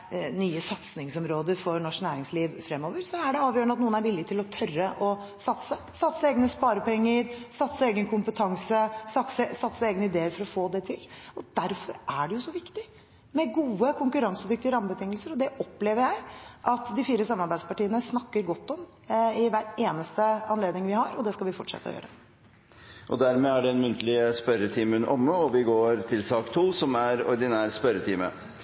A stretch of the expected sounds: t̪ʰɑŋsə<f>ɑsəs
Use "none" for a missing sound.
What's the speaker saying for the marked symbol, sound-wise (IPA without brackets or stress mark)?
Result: s